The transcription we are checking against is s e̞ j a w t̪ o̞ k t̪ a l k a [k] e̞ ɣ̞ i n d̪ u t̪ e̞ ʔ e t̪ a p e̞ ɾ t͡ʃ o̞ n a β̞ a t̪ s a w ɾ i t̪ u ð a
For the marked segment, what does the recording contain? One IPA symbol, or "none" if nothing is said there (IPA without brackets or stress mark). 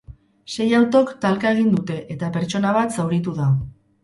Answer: none